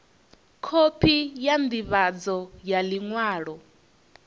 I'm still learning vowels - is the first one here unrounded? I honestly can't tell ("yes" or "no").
no